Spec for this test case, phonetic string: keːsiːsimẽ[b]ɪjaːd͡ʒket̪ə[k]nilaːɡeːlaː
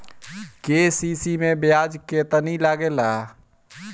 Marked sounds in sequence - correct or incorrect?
correct, incorrect: none

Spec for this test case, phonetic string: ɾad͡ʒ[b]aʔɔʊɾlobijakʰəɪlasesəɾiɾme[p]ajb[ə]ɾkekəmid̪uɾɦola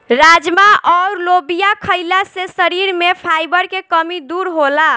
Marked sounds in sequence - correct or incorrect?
incorrect: m, incorrect: pʰ, correct

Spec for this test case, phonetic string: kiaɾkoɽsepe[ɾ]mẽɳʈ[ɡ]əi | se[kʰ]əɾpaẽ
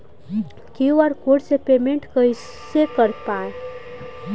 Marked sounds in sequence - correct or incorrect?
incorrect: none, incorrect: k, incorrect: k

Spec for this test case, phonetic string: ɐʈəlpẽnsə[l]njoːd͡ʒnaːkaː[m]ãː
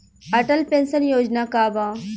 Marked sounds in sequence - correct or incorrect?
incorrect: none, incorrect: b

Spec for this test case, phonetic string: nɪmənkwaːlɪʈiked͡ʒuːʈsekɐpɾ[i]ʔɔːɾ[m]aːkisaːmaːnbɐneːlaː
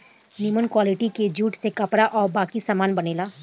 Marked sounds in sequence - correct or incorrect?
incorrect: a, incorrect: b

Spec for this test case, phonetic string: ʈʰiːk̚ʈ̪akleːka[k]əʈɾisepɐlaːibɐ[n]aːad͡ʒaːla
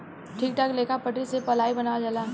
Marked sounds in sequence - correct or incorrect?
incorrect: p, correct

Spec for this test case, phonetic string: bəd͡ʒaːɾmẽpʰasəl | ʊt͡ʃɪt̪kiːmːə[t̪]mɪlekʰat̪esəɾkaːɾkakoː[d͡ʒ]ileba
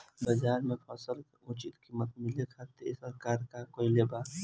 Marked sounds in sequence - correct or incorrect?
correct, incorrect: none

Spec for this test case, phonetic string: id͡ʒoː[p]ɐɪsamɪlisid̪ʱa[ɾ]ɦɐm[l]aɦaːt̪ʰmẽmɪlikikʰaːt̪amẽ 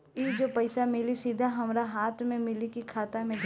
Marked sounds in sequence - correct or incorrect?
correct, incorrect: none, incorrect: ɾ

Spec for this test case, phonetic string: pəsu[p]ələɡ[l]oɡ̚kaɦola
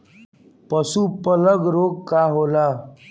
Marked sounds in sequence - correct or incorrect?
correct, incorrect: ɾ

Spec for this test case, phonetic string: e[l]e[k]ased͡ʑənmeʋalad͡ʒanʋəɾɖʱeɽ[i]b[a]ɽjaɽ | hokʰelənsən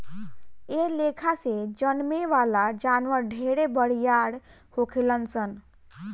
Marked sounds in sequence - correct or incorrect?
correct, incorrect: kʰ, incorrect: e, incorrect: ə

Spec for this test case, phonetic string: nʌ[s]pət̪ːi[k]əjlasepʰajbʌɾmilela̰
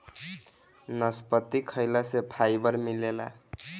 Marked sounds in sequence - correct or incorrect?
correct, incorrect: kʰ

